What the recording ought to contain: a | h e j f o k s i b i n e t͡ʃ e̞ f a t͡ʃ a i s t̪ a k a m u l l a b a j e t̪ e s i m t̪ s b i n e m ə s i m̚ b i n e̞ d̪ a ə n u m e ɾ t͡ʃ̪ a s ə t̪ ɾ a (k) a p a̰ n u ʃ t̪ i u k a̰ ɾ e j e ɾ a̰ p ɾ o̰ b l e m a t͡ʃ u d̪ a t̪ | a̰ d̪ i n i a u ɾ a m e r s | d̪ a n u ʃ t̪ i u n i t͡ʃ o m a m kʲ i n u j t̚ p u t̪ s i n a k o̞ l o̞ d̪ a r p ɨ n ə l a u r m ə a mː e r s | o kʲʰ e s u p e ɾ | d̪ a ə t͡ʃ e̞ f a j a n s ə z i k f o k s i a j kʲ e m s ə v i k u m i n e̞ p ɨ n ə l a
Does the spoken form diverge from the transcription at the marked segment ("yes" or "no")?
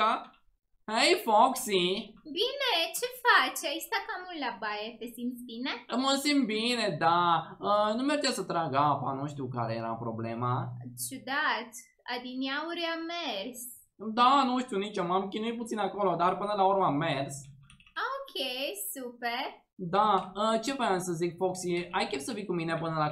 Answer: yes